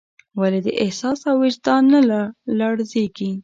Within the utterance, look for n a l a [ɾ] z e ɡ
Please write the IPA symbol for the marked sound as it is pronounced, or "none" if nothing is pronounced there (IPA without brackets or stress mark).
ɽ